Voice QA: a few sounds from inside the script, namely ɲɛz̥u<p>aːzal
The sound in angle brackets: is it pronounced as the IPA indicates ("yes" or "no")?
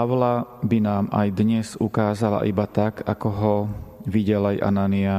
no